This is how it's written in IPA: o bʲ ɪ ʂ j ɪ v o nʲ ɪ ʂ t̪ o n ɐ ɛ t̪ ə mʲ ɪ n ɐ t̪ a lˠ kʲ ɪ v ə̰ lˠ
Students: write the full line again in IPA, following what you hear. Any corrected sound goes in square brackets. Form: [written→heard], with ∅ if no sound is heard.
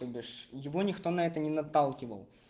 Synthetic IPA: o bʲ ɪ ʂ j ɪ v o nʲ ɪ [ʂ→x] t̪ o n ɐ ɛ t̪ ə [mʲ→nʲ] ɪ n ɐ t̪ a lˠ kʲ ɪ v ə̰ lˠ

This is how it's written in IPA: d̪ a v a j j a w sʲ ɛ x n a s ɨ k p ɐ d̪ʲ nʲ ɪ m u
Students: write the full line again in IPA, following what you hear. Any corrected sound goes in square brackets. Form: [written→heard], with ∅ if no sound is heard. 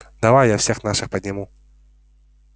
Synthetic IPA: d̪ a v a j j a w sʲ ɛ x n a [s→ʂ] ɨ [k→x] p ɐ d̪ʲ nʲ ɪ m u

